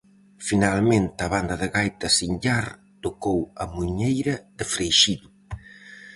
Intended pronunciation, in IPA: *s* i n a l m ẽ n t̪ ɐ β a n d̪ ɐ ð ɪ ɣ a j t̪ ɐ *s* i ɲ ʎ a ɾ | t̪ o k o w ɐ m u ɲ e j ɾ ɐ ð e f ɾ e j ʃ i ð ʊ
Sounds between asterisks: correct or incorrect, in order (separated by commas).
incorrect, correct